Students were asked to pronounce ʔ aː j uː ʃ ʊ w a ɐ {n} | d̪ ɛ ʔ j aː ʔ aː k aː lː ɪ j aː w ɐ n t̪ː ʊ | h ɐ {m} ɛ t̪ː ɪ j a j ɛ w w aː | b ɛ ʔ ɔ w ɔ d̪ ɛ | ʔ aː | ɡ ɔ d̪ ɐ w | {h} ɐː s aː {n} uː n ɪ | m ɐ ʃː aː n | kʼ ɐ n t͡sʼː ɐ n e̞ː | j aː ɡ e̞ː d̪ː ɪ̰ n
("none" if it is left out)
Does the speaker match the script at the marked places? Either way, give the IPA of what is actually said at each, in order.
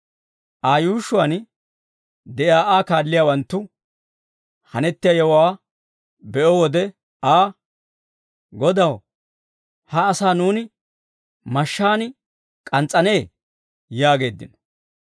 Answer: n, n, h, n

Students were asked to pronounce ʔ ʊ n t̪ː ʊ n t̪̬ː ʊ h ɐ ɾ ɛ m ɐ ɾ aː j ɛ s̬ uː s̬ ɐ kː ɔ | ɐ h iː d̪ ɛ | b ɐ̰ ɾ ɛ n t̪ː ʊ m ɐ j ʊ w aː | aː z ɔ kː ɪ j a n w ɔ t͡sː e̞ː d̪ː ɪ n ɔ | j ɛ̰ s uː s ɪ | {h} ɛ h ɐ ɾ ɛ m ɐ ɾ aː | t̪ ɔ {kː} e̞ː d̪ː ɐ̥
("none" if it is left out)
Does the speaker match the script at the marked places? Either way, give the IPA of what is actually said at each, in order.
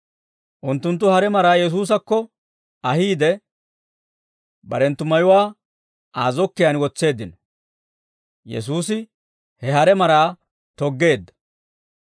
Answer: h, ɡː

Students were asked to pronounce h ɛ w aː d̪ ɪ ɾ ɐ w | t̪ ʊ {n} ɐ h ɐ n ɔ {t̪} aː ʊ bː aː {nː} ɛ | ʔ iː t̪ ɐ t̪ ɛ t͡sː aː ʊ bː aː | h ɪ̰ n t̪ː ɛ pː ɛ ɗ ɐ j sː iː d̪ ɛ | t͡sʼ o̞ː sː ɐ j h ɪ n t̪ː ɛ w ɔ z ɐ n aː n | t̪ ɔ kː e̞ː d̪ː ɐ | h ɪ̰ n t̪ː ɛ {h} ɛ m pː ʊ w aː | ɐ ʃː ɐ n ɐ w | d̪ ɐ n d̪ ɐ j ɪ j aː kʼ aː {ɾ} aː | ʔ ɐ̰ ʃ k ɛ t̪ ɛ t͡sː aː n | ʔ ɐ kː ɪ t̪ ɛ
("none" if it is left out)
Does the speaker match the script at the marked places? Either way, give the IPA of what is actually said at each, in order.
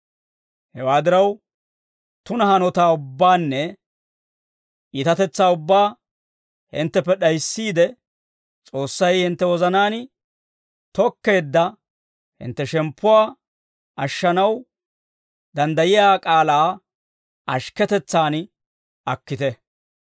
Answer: n, t̪, nː, ʃ, l

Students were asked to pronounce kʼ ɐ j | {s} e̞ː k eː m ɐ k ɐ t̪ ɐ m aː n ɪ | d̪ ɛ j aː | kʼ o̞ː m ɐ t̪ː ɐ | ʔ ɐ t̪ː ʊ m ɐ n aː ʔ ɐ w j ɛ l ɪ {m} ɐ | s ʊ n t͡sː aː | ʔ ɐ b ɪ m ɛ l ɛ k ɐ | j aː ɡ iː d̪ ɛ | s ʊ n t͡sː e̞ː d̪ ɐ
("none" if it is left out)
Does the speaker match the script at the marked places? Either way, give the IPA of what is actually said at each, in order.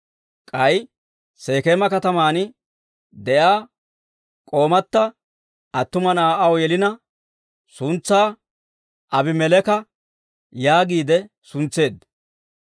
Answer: s, n

